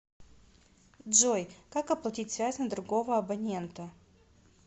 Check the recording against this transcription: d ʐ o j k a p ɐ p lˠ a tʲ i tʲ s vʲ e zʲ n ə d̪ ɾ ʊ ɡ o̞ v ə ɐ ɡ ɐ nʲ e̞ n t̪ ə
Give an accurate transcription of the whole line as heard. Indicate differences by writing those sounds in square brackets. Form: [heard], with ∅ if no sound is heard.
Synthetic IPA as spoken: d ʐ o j k a [k] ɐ p lˠ [ɐ] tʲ i tʲ s vʲ [æ] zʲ n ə d̪ ɾ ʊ ɡ o̞ v ə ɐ [b] ɐ nʲ e̞ n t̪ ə